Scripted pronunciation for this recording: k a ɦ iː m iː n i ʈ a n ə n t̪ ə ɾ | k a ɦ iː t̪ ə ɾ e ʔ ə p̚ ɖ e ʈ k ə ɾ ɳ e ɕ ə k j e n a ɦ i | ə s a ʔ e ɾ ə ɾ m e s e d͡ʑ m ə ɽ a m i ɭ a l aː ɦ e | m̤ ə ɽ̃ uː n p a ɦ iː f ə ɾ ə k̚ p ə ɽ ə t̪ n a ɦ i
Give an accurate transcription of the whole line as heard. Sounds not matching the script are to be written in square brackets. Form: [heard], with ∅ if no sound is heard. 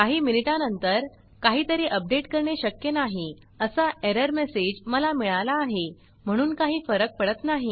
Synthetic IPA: k a ɦ iː m [i] n i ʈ a n ə n t̪ ə ɾ | k a ɦ iː t̪ ə ɾ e ʔ ə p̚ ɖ e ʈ k ə ɾ ɳ e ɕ ə k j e n a ɦ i | ə s a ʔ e ɾ ə ɾ m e s e d͡ʑ m ə [l] a m i ɭ a l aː ɦ e | m̤ ə ɽ̃ uː n [k] a ɦ iː f ə ɾ ə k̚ p ə ɽ ə t̪ n a ɦ i